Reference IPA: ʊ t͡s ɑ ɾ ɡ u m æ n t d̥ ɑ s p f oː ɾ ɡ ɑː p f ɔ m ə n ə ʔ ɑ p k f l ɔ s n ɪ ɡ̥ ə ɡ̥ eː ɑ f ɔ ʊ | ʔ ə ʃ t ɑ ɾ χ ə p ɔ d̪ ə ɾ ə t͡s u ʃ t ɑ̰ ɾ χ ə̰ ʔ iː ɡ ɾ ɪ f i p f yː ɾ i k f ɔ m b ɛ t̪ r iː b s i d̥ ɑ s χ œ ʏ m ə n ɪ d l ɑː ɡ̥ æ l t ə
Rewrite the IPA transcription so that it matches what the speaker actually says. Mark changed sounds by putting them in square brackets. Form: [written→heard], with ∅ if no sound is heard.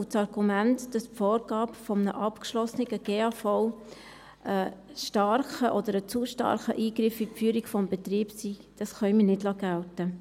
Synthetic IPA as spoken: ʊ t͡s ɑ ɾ ɡ u m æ n t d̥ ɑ s p f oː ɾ ɡ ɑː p f ɔ m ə n ə ʔ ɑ p k [f→ʃ] l ɔ s n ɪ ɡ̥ ə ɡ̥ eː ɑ f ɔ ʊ | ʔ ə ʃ t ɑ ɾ χ ə [p→ʔ] ɔ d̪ ə ɾ ə t͡s u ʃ t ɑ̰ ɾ χ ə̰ ʔ iː ɡ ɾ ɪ f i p f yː ɾ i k f ɔ m b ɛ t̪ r iː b s i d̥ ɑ s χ œ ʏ m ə n ɪ d l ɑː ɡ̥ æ l t ə

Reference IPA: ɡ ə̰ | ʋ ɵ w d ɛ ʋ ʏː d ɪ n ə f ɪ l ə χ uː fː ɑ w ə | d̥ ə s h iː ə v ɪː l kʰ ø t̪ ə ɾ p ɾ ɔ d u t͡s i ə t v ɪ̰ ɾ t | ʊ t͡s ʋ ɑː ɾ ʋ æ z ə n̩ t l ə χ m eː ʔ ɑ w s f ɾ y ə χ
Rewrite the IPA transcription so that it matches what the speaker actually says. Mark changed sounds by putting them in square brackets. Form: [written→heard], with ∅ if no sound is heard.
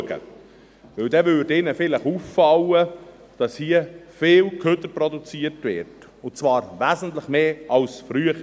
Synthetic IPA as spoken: ɡ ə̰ | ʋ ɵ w d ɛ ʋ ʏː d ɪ n ə f ɪ l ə χ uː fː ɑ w ə | d̥ [ə→ɑ] s h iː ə [v→f] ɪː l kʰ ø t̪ ə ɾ p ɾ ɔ d u t͡s i ə t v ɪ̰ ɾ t | ʊ t͡s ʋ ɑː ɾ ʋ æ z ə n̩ t l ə χ m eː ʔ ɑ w s f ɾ y ə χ

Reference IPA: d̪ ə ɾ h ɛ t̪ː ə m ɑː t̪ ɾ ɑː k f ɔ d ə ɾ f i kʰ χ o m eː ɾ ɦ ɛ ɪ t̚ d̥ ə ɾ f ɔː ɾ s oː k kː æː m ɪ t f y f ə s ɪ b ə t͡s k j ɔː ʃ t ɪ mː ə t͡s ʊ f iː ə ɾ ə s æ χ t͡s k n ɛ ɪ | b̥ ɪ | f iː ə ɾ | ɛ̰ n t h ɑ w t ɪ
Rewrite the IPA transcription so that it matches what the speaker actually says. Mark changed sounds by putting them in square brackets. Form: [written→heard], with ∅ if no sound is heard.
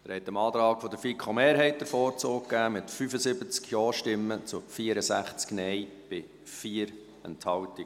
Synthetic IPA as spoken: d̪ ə ɾ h ɛ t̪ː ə m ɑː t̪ ɾ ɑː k f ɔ d ə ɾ f i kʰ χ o m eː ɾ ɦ ɛ ɪ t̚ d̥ ə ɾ f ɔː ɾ [s→t͡s] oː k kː æː m ɪ t f y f ə s ɪ b ə t͡s k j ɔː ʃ t ɪ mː ə t͡s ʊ f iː ə ɾ ə s æ χ t͡s k n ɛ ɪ | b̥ ɪ | f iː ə ɾ | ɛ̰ n t h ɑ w t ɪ

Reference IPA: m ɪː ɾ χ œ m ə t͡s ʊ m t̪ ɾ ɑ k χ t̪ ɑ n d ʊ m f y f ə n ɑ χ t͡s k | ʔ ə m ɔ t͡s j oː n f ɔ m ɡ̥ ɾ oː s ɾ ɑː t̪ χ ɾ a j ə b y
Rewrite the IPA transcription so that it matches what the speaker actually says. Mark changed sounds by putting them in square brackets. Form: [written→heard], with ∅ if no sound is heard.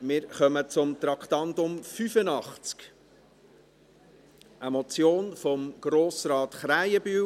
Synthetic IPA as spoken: m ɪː ɾ χ œ m ə t͡s ʊ m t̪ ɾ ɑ k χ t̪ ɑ n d ʊ m f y f ə n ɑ χ t͡s k | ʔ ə m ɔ t͡s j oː n f ɔ m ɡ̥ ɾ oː s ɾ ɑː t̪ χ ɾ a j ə b y

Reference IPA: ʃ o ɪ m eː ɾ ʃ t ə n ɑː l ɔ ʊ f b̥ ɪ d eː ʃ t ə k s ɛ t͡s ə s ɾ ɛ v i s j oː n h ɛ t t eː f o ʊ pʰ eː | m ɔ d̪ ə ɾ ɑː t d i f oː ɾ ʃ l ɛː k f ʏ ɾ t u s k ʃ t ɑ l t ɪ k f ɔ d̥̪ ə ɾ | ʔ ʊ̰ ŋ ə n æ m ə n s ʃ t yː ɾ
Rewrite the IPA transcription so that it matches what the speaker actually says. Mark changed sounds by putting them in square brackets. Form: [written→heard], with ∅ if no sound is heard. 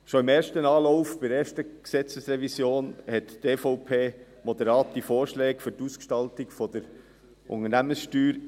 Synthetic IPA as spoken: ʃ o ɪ m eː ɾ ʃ t ə n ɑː l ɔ ʊ f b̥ ɪ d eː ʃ t ə k s ɛ t͡s ə s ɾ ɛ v i s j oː n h ɛ t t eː f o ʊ pʰ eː | m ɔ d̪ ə ɾ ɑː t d i f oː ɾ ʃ l ɛː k f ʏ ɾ t u s k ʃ t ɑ l t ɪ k f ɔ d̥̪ ə ɾ | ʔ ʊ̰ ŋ ə n æ m ə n s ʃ t yː ɾ

